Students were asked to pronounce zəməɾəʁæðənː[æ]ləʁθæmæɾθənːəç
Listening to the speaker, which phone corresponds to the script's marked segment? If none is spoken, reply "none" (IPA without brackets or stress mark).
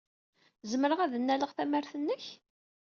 æ